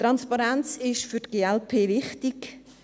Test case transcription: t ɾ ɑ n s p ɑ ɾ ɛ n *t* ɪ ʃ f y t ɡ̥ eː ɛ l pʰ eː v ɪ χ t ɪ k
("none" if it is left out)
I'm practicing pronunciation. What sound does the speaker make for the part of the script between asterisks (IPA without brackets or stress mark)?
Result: t͡s